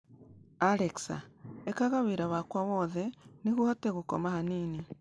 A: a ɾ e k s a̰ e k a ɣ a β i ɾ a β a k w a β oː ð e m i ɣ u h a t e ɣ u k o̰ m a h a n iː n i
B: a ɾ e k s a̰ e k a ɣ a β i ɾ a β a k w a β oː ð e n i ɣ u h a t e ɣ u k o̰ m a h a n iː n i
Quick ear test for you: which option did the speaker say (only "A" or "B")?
B